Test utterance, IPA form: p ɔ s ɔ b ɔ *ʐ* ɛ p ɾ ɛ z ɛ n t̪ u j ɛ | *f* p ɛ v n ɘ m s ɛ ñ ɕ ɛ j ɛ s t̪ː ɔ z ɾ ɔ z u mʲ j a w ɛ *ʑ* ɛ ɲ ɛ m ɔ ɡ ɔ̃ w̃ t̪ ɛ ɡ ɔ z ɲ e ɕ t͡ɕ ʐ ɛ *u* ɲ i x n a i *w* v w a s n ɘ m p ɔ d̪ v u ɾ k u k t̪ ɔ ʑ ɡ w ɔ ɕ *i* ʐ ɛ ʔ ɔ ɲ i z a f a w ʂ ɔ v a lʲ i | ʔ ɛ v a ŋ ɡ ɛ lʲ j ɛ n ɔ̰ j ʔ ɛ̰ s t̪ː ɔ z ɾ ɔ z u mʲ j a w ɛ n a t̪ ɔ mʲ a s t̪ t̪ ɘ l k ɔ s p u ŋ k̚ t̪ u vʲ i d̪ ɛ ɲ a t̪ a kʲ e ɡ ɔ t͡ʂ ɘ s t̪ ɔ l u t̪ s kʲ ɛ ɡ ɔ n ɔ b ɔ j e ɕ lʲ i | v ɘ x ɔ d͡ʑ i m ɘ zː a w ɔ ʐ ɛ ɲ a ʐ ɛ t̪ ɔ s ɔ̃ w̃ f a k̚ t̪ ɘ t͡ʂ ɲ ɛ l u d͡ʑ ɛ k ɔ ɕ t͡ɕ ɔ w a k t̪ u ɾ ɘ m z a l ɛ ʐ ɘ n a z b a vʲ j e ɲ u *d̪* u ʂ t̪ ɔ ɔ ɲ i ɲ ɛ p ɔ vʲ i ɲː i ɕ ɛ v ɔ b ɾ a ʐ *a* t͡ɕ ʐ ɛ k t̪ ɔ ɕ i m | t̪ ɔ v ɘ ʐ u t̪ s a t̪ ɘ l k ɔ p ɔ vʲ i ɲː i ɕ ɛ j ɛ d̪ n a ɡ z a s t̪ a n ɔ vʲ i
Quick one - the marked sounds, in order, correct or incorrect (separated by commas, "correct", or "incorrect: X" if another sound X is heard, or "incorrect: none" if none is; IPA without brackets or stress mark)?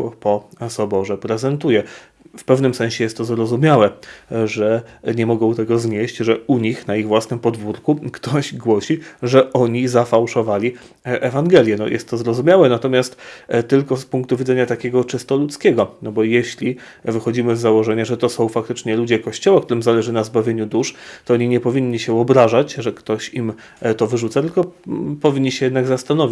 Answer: correct, correct, incorrect: ʐ, correct, incorrect: ɣ, correct, correct, correct